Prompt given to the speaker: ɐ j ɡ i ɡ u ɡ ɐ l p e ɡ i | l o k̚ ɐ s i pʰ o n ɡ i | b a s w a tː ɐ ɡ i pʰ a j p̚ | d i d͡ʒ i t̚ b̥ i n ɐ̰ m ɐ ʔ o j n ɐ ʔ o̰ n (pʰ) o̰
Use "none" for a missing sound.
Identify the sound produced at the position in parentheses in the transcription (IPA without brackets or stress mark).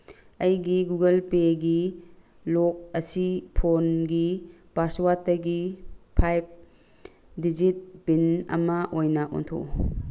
tʰ